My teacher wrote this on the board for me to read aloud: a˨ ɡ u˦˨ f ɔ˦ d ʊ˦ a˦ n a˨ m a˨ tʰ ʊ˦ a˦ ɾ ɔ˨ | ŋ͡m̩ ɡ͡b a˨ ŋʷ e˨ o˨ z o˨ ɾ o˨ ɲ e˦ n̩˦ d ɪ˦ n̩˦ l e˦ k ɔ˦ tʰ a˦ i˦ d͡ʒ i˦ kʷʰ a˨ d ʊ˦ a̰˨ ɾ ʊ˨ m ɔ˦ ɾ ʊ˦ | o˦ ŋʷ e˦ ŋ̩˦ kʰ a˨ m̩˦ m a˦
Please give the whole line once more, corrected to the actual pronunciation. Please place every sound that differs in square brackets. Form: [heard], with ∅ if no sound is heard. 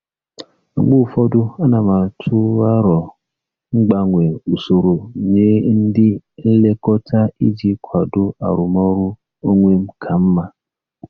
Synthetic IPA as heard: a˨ [ɡ͡b] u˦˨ f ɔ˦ d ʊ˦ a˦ n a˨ m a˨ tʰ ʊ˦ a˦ ɾ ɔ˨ | ŋ͡m̩ ɡ͡b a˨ ŋʷ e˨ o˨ [s] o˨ ɾ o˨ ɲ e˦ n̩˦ d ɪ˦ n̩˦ l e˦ k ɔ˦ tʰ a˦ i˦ d͡ʒ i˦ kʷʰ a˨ d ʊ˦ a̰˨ ɾ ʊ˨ m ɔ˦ ɾ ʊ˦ | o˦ ŋʷ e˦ [m̩˦] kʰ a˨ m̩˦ m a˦